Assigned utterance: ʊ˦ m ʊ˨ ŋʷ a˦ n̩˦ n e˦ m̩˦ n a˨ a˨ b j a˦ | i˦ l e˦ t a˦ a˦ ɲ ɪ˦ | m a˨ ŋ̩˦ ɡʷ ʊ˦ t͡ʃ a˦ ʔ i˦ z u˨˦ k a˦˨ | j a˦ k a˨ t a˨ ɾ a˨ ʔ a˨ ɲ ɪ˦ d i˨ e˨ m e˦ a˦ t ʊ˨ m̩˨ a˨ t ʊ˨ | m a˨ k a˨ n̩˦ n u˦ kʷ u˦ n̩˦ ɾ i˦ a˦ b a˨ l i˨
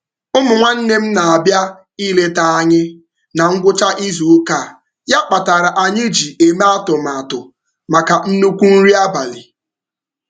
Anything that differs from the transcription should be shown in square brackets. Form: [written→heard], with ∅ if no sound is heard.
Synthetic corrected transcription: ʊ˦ m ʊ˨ ŋʷ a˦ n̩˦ n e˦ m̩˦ n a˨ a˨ b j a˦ | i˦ l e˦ t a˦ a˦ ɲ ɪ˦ | [m→n] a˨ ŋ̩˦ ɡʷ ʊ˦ t͡ʃ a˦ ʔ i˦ z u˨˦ k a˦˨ | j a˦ [k→k͡p] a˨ t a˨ ɾ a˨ ʔ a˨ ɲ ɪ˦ [d→d͡ʒ] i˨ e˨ m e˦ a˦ t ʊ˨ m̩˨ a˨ t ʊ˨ | m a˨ k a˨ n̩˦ n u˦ kʷ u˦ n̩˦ ɾ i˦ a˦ b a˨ l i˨